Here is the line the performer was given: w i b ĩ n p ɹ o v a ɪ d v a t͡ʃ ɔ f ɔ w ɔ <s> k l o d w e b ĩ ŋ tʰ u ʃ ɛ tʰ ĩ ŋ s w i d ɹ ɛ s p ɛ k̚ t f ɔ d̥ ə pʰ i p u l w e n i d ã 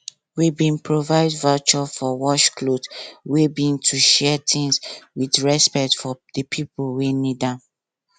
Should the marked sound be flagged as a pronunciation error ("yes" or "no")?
yes